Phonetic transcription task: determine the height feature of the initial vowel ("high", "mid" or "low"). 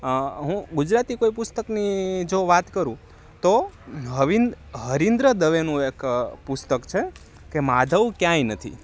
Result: high